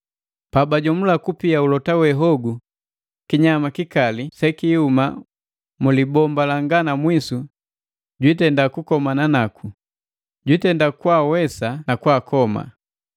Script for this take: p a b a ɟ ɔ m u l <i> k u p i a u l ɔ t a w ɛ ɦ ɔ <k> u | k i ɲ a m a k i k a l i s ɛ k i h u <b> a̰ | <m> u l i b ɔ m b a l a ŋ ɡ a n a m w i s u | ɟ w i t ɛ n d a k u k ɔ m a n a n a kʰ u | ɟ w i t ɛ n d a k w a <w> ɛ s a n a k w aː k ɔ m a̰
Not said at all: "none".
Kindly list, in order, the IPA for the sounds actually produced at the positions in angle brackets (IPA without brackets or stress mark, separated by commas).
a, ɡ, m, m, w